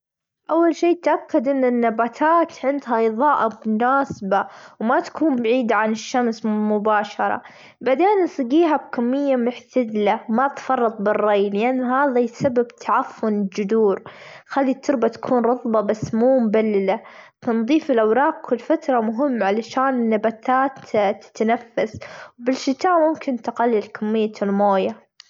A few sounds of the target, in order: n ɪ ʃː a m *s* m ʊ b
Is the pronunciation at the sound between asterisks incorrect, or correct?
correct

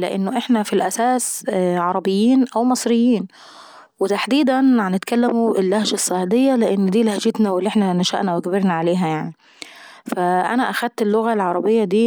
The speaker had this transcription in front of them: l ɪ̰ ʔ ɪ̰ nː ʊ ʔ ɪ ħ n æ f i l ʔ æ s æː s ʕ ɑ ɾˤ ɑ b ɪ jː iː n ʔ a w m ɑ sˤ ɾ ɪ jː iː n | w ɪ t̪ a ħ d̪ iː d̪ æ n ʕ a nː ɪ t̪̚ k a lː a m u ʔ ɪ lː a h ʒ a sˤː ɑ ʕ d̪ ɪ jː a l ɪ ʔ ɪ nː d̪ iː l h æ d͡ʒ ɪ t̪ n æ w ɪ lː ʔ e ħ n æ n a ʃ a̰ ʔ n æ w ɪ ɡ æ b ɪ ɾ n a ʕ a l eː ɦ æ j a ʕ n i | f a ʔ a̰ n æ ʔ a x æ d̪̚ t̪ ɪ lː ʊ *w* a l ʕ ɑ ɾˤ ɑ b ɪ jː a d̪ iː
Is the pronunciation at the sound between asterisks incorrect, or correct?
incorrect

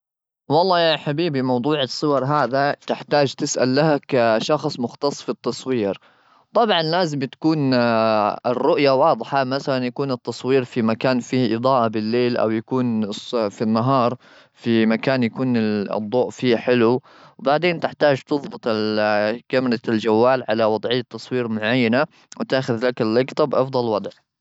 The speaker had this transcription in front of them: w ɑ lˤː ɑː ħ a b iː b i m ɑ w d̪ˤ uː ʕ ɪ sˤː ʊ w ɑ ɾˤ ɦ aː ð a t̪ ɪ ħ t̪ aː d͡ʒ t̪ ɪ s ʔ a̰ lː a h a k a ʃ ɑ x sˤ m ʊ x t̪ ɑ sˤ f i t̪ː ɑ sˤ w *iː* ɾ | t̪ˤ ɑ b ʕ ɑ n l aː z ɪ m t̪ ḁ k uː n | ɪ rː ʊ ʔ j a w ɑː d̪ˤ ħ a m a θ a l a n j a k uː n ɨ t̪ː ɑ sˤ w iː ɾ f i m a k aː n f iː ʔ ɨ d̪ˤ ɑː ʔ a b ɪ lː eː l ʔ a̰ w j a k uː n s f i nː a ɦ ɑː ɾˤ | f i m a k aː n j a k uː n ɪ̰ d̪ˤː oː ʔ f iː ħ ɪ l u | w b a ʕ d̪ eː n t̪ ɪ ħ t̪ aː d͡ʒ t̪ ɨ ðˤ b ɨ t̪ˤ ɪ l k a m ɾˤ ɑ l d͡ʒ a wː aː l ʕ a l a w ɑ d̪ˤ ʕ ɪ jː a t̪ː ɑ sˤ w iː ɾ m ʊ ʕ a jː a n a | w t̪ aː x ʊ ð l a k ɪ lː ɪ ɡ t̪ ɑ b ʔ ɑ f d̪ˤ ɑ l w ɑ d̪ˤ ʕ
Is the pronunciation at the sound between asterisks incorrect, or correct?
correct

